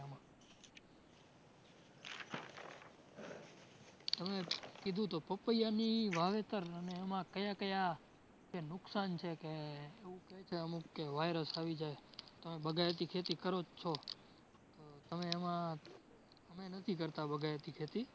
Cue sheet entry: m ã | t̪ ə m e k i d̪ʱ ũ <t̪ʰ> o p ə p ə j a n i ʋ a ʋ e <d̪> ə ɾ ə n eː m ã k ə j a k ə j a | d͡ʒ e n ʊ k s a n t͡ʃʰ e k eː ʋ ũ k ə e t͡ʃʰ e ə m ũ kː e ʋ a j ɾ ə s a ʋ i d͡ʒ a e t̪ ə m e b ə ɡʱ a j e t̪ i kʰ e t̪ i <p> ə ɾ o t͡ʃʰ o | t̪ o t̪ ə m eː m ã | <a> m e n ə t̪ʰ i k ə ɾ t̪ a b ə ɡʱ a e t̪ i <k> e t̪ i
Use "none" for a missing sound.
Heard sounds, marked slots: t̪, t̪, k, ə, kʰ

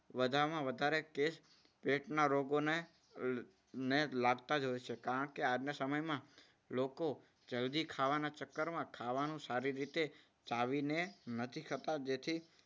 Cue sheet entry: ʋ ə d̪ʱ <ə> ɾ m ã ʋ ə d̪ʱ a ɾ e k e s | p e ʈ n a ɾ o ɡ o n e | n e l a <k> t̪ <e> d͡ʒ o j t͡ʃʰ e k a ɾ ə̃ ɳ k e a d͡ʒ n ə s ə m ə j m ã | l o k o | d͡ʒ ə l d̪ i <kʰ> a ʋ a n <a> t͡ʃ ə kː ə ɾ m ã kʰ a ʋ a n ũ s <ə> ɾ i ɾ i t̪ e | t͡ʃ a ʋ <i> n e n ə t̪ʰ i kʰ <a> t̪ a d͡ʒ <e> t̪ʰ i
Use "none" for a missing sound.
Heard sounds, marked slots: a, ɡ, a, kʰ, a, a, i, ə, e

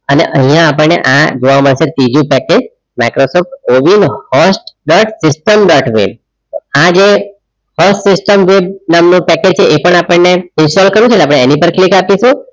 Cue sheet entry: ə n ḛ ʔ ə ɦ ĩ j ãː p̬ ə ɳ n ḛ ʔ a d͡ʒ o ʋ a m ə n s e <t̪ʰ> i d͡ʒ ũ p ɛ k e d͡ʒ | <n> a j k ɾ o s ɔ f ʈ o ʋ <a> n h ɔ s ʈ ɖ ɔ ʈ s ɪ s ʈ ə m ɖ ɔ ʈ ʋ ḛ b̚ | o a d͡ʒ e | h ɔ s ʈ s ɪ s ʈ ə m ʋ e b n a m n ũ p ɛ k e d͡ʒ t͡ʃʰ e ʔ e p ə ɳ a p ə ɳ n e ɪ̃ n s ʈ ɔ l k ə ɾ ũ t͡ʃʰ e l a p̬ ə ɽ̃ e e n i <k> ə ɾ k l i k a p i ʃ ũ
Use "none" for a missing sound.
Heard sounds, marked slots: t̪, m, i, p

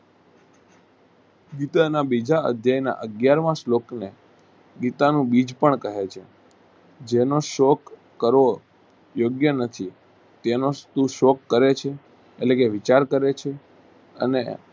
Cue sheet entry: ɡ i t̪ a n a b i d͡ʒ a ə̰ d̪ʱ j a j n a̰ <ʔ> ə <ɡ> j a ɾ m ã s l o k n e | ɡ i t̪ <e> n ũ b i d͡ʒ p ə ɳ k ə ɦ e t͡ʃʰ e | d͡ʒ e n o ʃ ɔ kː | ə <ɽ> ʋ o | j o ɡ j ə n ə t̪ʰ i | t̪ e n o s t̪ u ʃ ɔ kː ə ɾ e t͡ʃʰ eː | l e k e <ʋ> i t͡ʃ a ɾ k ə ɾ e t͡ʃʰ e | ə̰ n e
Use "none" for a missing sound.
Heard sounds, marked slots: ʔ, ɡ, a, ɾ, ʋ

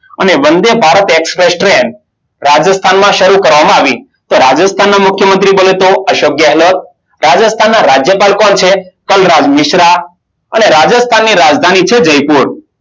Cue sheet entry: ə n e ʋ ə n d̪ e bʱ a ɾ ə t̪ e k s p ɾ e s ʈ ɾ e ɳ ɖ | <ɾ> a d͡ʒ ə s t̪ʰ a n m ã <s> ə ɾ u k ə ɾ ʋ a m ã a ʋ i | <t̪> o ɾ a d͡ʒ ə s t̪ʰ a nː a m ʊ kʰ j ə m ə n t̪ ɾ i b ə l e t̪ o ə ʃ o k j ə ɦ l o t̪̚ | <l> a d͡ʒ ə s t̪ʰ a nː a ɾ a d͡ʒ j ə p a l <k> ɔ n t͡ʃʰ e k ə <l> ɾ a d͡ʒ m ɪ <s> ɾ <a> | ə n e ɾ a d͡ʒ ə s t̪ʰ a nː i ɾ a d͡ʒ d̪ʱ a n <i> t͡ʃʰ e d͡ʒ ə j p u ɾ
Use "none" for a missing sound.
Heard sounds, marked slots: ɾ, ʃ, t̪, ɾ, k, l, ʃ, a, i

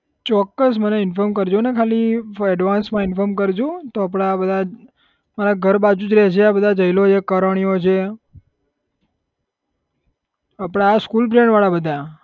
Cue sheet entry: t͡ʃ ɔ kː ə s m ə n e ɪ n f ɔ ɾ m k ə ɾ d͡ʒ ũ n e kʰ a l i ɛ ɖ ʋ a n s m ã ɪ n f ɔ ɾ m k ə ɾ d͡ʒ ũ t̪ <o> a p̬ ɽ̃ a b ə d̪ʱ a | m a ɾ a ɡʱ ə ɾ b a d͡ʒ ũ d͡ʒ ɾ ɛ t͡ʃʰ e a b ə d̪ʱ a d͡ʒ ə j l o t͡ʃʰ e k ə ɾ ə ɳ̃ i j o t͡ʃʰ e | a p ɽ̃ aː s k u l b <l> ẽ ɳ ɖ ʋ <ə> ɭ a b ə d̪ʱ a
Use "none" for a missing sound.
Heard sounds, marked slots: o, ɾ, a

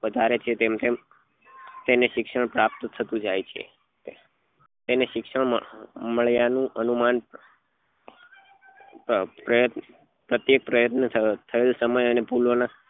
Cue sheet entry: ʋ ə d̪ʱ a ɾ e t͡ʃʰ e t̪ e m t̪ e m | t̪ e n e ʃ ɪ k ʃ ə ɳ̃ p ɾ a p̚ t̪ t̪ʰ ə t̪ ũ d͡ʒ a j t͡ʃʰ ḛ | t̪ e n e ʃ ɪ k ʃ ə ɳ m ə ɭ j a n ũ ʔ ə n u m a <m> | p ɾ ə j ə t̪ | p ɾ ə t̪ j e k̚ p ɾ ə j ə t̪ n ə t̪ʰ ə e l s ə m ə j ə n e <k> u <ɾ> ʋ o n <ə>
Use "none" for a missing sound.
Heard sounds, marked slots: n, p, l, a

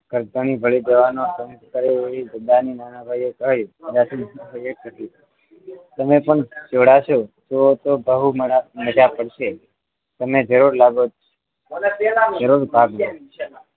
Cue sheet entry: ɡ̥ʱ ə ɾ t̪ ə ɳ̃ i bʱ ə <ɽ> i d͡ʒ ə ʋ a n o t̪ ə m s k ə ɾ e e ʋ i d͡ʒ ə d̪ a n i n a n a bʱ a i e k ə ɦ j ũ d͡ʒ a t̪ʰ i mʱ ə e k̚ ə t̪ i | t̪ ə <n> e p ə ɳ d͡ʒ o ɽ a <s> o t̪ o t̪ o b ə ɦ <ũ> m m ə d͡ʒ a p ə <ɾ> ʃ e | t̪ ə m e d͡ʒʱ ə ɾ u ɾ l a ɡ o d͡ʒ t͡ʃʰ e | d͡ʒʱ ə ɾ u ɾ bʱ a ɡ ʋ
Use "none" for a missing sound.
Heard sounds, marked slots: ɭ, m, ʃ, u, ɽ

